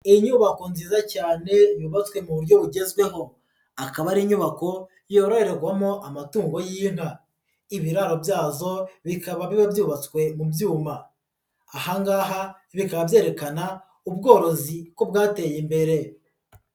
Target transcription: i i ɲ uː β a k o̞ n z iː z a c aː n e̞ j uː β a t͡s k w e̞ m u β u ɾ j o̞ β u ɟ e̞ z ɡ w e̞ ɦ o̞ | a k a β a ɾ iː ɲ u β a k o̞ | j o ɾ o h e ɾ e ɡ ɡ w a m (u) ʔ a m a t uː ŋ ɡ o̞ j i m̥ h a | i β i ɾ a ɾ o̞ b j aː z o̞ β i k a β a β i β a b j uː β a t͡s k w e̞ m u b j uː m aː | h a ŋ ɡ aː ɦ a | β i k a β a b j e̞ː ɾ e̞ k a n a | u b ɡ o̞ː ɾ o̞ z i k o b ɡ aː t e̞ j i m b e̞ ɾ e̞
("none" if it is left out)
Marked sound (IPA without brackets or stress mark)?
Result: o